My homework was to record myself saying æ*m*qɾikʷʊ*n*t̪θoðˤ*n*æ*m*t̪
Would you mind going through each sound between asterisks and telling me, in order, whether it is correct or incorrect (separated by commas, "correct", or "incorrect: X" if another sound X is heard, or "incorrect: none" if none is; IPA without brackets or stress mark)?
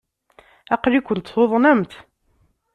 incorrect: none, correct, correct, correct